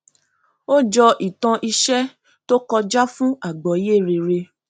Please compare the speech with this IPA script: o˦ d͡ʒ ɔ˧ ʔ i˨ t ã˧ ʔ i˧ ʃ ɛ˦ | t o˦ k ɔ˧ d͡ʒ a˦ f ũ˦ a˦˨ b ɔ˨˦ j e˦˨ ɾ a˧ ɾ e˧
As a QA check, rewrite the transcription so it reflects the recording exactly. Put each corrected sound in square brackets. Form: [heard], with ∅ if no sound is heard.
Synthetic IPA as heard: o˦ d͡ʒ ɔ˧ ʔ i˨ t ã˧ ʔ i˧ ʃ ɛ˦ | t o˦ k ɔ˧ d͡ʒ a˦ f ũ˦ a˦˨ [ɡ͡b] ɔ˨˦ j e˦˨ ɾ [e˧] ɾ e˧